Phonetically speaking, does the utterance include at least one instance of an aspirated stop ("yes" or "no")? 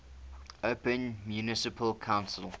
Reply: yes